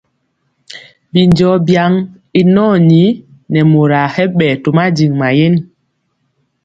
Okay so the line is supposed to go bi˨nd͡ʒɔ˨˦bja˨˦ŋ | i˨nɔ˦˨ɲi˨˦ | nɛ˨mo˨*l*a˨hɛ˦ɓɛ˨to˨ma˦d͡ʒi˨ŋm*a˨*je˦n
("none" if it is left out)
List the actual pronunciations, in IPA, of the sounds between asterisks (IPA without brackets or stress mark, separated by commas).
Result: ɾ, a˨